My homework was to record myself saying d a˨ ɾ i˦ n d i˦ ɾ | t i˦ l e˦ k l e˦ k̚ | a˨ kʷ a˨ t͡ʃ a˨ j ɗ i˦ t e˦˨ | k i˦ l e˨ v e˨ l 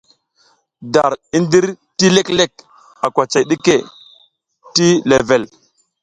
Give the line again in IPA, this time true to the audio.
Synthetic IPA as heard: d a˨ ɾ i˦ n d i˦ ɾ | t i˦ l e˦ k l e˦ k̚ | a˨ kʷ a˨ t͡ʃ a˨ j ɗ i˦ k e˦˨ | t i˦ l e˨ v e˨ l